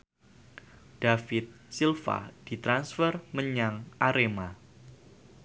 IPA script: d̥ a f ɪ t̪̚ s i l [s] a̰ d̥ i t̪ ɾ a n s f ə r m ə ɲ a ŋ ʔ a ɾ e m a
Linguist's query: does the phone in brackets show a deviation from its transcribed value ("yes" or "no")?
yes